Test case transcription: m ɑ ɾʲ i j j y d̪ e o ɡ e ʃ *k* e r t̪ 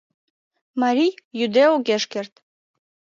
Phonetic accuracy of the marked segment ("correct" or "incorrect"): correct